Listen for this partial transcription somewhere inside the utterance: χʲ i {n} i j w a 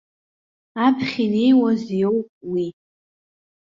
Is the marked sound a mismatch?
no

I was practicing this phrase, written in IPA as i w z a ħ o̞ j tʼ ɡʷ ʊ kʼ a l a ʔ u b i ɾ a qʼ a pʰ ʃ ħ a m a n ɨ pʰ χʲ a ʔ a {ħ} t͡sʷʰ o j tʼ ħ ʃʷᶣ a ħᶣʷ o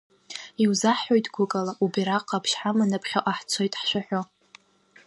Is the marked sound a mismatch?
no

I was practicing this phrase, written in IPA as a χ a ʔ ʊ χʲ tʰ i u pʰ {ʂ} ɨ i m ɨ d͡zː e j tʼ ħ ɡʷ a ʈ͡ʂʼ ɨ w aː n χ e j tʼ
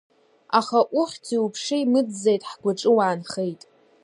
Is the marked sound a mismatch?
no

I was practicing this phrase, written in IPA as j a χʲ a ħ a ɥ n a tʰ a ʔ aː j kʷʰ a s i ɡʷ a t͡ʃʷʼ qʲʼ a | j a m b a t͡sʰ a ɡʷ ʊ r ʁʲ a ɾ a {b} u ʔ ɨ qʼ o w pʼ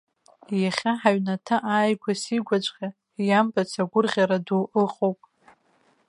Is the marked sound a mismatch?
yes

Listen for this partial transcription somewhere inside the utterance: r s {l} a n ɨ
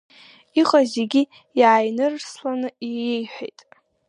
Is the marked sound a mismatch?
no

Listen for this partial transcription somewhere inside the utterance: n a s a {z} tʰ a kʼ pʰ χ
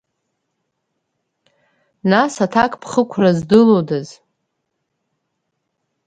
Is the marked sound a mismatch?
yes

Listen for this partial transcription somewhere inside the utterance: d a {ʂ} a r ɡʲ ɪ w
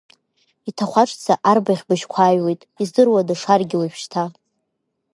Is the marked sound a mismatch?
no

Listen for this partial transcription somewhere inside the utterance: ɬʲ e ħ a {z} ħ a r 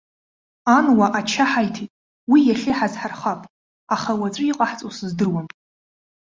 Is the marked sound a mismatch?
no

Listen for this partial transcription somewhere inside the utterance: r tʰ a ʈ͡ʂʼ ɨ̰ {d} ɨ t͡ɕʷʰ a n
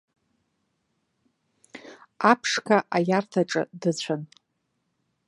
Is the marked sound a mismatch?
no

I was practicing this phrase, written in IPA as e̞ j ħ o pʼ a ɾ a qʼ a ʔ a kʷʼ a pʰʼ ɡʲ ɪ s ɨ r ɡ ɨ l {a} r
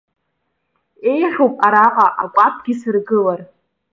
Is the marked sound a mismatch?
no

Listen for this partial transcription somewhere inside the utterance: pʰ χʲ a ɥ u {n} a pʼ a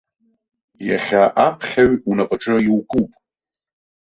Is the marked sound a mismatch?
no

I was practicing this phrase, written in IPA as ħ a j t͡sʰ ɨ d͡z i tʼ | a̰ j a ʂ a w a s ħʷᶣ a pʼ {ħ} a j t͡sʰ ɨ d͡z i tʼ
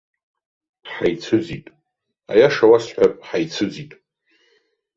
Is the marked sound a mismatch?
no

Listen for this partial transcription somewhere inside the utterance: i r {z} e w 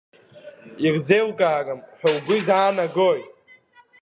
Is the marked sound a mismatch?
no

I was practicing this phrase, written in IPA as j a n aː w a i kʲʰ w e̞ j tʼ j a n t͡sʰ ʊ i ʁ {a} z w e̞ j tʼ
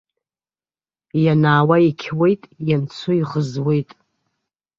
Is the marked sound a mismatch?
yes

